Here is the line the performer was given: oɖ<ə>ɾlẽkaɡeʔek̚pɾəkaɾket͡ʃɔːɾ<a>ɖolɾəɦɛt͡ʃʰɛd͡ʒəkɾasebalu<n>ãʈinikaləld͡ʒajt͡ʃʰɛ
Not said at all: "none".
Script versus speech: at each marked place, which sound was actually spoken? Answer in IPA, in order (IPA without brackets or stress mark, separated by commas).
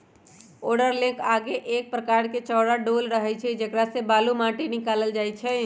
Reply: ə, a, m